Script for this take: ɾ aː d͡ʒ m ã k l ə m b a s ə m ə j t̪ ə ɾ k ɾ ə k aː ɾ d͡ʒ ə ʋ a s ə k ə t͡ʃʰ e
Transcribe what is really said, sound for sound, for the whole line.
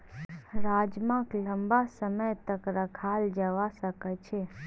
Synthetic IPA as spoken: ɾ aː d͡ʒ m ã k l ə m b a s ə m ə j t̪ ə k ɾ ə kʰ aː l d͡ʒ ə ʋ a s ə k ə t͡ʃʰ e